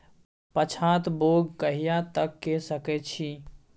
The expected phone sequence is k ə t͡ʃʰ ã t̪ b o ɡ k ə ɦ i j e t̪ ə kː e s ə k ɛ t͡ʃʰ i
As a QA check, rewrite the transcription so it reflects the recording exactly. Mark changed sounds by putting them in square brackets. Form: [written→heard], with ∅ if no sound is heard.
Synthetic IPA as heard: [k→p] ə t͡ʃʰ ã t̪ b o ɡ k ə ɦ i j [e→a] t̪ ə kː e s ə k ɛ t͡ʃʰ i